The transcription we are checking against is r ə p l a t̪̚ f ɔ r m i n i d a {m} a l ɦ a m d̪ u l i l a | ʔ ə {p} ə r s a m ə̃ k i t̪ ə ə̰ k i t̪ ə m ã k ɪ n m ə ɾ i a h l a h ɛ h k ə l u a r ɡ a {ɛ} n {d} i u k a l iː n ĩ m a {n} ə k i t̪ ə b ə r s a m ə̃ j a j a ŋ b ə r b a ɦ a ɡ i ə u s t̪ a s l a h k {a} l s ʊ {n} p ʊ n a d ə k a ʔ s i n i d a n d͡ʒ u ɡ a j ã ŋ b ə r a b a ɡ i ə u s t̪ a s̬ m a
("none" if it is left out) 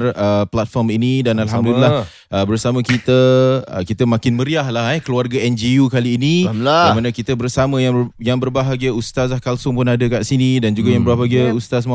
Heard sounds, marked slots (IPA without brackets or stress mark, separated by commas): n, b, ɛ, d͡ʒ, n, a, ŋ